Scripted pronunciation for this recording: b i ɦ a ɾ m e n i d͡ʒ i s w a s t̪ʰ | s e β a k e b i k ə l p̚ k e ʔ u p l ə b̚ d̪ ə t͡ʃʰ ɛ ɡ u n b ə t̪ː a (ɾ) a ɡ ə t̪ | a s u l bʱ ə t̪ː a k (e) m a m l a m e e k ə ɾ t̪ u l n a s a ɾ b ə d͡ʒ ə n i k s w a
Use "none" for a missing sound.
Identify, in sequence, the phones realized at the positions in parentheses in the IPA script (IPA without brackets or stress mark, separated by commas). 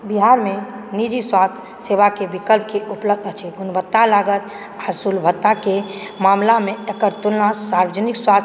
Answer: l, e